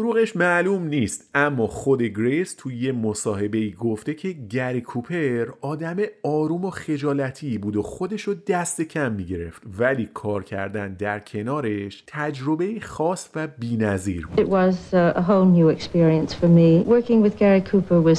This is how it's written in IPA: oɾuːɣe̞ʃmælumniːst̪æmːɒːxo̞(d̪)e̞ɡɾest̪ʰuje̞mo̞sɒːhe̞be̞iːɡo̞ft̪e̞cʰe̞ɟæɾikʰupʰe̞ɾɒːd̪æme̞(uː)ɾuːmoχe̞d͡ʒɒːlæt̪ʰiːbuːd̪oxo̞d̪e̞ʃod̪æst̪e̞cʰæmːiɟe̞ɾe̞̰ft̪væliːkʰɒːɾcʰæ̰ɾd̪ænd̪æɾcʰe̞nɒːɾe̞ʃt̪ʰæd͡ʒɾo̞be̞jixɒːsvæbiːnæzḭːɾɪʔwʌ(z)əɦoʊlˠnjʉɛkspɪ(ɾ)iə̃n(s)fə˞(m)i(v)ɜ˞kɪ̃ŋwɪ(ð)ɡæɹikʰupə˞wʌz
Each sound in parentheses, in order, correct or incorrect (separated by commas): correct, incorrect, correct, incorrect, correct, correct, incorrect, correct